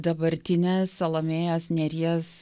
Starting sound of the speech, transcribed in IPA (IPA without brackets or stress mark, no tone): d̪